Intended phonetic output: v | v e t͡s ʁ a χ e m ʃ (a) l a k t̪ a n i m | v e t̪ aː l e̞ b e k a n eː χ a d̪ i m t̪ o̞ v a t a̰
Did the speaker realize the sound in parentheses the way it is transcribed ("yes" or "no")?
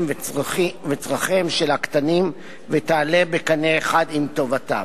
no